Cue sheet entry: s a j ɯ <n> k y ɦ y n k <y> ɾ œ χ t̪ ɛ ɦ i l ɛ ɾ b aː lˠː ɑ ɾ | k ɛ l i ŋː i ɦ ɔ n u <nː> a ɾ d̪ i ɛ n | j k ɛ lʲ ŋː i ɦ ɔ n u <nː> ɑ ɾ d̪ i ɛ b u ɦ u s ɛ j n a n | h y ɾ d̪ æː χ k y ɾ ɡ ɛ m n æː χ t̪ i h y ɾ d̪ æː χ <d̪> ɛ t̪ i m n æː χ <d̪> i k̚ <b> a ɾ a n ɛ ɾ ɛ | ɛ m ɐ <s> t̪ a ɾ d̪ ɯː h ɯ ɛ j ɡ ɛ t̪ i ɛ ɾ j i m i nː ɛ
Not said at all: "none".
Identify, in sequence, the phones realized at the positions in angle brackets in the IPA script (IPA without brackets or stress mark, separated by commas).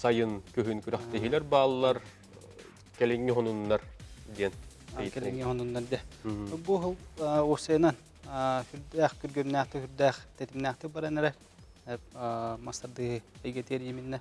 n, y, nː, nː, t̪, t̪, b, s